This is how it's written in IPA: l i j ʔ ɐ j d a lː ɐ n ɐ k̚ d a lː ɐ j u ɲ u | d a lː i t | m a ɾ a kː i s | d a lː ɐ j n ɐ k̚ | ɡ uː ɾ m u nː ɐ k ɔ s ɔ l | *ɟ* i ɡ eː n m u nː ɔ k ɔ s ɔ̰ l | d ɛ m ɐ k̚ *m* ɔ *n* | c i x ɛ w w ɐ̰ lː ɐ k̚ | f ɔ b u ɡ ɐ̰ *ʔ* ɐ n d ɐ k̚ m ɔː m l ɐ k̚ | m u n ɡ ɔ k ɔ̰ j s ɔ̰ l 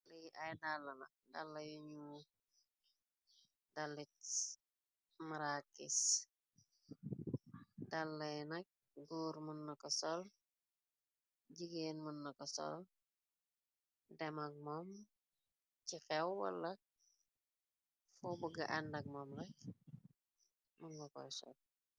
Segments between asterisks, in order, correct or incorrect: correct, correct, incorrect: m, correct

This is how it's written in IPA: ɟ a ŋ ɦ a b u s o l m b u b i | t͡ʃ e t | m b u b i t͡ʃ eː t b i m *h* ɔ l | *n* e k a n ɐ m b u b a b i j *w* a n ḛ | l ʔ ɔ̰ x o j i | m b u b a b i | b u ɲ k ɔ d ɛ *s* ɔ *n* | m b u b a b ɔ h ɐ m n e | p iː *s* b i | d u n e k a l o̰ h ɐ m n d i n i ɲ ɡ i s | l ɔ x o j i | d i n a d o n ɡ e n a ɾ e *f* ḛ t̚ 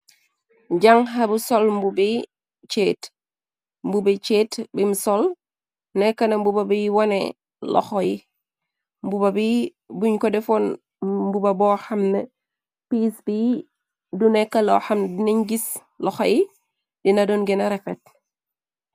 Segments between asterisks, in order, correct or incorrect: incorrect: s, correct, correct, incorrect: f, correct, correct, correct

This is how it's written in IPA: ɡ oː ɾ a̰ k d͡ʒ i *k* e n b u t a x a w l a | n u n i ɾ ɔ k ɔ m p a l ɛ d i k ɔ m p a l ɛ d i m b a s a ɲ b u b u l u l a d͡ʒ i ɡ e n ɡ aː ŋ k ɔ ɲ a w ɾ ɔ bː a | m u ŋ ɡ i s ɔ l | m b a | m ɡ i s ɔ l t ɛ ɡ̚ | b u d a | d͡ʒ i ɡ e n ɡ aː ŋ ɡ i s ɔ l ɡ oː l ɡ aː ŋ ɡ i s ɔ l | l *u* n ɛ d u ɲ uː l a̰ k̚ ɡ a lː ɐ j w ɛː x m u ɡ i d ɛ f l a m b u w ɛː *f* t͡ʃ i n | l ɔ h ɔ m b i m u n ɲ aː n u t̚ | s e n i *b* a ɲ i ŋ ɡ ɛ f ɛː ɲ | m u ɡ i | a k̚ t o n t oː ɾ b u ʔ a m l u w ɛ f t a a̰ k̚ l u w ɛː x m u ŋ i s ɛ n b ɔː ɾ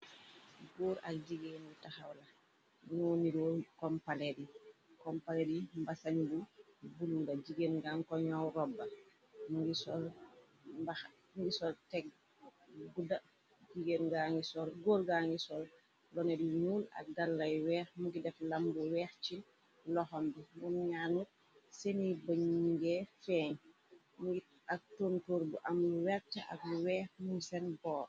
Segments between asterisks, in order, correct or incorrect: incorrect: ɡ, incorrect: ɔ, incorrect: x, correct

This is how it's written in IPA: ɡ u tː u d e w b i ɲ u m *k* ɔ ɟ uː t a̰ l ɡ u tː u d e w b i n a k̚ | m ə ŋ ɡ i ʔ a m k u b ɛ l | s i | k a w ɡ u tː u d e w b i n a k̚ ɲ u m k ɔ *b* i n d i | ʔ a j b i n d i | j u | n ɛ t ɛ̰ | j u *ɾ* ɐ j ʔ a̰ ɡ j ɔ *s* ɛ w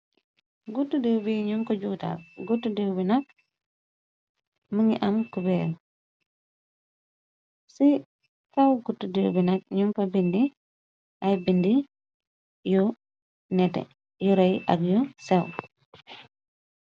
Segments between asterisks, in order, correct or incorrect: correct, correct, correct, correct

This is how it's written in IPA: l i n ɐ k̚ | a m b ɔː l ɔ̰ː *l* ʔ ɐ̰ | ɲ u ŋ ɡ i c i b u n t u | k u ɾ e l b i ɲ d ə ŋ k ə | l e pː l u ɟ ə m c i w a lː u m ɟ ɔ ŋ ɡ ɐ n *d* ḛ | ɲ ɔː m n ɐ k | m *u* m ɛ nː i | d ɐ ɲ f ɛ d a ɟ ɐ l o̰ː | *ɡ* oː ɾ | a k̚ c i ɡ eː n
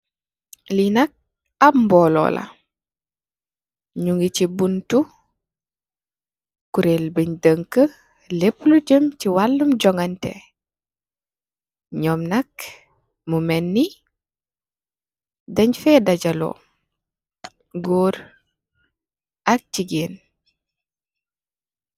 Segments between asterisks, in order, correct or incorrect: correct, incorrect: t, correct, correct

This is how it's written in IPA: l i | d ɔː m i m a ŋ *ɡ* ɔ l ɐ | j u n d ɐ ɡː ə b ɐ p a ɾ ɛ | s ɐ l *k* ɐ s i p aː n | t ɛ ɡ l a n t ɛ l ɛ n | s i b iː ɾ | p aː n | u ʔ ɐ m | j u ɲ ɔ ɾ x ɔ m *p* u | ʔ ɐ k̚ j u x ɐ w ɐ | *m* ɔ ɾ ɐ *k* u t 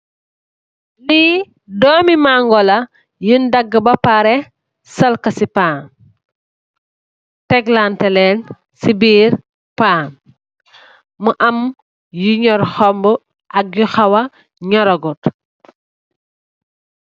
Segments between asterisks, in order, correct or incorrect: correct, correct, incorrect: b, incorrect: ɲ, incorrect: ɡ

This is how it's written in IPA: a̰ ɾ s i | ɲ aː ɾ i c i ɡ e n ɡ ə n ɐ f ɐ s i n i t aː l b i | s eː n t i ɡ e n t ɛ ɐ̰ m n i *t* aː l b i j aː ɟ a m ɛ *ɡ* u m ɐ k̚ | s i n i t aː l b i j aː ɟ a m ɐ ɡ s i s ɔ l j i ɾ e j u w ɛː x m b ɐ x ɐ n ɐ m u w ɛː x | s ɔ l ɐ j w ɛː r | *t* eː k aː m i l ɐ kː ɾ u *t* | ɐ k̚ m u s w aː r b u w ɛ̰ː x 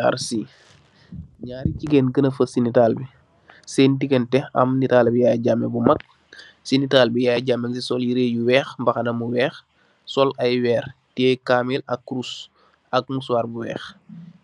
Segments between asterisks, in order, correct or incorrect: correct, incorrect: b, correct, incorrect: s

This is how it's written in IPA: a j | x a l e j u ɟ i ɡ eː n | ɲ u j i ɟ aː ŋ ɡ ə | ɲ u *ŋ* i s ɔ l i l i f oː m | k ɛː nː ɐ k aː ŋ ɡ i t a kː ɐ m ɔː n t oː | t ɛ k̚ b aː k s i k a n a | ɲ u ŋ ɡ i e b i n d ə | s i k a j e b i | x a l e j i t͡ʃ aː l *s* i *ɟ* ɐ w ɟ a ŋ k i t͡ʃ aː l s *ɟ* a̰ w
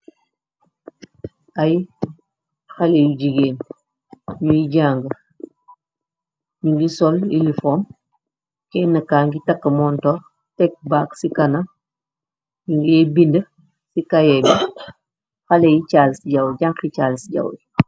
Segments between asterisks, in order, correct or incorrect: incorrect: ɡ, correct, correct, correct

